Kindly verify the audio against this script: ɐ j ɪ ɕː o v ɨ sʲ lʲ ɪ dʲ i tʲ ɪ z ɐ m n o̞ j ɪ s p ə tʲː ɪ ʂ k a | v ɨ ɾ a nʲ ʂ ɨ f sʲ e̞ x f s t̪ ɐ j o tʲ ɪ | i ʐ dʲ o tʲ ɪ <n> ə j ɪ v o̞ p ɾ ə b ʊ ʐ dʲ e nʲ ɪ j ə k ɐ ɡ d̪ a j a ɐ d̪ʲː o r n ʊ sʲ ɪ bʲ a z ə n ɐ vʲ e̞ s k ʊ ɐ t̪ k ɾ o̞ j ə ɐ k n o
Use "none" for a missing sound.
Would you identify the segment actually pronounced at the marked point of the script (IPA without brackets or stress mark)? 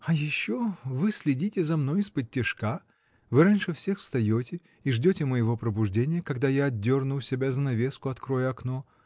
m